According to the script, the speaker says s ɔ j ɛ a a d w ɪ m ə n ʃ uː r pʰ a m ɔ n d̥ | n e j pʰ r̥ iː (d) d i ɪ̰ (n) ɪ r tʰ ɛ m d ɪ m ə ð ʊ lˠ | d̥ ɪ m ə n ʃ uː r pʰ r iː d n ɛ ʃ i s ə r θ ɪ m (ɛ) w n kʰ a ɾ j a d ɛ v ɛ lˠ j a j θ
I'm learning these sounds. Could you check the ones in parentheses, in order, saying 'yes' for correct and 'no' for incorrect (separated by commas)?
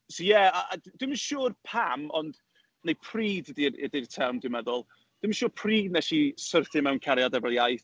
yes, no, yes